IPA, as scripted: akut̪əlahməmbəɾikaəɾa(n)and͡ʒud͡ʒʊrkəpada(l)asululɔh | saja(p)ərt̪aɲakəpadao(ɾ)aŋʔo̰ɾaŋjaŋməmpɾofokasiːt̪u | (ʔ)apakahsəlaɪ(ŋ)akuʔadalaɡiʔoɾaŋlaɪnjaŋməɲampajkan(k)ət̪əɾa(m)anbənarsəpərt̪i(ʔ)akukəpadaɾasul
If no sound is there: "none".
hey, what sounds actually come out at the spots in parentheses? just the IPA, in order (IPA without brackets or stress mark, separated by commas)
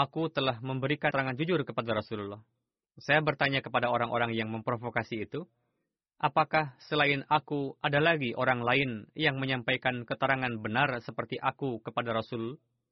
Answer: ŋ, ɾ, b, ɾ, ʔ, n, k, ŋ, ʔ